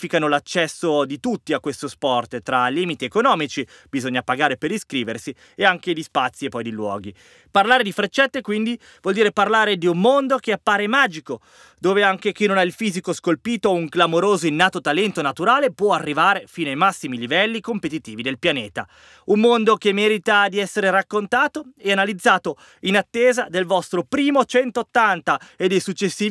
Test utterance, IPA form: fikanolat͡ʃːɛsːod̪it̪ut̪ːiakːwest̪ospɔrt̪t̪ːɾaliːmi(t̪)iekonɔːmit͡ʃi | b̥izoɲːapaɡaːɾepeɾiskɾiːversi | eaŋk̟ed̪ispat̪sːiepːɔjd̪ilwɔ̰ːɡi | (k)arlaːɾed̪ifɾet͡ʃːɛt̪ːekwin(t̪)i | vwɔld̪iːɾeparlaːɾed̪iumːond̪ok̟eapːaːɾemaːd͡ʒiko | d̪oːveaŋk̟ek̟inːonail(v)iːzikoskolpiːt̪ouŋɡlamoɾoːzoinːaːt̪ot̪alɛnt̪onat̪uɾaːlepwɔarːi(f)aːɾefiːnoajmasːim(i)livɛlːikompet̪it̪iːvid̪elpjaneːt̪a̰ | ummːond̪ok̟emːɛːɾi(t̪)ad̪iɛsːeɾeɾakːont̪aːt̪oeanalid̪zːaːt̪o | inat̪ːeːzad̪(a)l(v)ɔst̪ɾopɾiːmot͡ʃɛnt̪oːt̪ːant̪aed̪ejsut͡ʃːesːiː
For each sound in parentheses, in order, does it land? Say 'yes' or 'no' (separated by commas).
yes, no, no, no, no, yes, yes, no, yes